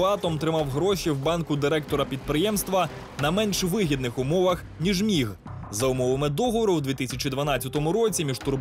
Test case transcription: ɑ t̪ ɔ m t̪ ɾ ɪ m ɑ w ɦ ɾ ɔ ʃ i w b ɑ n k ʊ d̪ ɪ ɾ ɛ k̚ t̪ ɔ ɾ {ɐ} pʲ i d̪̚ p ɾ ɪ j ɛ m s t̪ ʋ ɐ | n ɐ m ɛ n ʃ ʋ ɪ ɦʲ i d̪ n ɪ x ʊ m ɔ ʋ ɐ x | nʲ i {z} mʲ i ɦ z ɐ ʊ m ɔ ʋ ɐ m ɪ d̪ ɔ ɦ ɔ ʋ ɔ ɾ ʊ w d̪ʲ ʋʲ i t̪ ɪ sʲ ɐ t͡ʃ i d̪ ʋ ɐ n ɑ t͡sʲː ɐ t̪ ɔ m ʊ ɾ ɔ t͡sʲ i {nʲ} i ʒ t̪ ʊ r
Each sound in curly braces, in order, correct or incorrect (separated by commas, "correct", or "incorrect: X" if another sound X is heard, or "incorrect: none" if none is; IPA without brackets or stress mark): correct, incorrect: ʒ, incorrect: mʲ